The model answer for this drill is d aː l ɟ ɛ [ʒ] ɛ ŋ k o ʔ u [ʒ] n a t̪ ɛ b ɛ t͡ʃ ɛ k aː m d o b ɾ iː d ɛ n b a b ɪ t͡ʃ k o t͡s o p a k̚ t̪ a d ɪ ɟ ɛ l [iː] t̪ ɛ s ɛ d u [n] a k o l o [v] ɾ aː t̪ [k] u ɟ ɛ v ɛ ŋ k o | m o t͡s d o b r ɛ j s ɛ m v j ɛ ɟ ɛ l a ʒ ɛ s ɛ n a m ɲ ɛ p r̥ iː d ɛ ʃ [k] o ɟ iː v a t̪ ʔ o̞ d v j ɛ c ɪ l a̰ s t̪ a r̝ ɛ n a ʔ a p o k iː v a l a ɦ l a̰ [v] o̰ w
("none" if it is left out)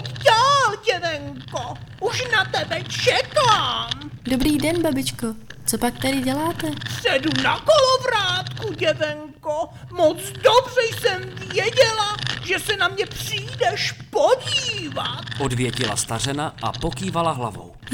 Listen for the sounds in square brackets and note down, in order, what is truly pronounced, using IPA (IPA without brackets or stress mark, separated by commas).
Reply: v, ʃ, aː, n, v, k, p, v